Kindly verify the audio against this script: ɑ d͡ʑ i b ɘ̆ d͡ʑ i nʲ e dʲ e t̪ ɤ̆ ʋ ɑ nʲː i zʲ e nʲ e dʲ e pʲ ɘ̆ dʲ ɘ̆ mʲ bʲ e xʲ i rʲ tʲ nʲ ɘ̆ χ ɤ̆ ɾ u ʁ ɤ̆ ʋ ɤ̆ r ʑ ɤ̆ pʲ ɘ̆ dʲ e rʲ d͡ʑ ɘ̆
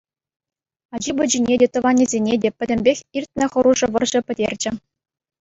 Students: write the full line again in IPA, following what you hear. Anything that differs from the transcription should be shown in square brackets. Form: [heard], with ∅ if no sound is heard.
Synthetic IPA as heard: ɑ d͡ʑ i b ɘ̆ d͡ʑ i nʲ e dʲ e t̪ ɤ̆ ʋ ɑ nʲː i zʲ e nʲ e dʲ e pʲ ɘ̆ dʲ ɘ̆ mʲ bʲ e xʲ i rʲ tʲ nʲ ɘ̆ χ ɤ̆ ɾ u [ʐ] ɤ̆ ʋ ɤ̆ r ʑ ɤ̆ pʲ ɘ̆ dʲ e rʲ d͡ʑ ɘ̆